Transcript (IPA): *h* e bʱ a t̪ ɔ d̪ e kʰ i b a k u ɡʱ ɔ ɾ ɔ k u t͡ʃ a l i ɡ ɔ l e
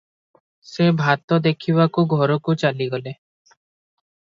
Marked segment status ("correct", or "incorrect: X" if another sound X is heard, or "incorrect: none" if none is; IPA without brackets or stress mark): incorrect: s